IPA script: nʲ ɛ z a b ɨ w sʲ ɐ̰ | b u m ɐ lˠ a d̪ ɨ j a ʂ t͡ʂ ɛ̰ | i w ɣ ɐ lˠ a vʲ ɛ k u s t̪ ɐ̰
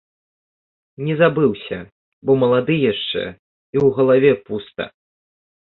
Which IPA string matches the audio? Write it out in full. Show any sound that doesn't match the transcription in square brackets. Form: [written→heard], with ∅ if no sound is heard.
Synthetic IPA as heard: nʲ ɛ z a b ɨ w sʲ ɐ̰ | b [u→ɔ] m ɐ lˠ a d̪ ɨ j a ʂ t͡ʂ ɛ̰ | i w ɣ ɐ lˠ a vʲ ɛ [k→p] u s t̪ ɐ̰